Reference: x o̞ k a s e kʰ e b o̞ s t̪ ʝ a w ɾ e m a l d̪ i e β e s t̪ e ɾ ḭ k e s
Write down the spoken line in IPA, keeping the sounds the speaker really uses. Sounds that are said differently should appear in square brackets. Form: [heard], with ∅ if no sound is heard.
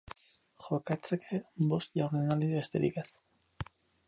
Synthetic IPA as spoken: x o̞ k a [t͡s] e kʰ e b o̞ s t̪ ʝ a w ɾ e [n] a l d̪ i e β e s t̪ e ɾ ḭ k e s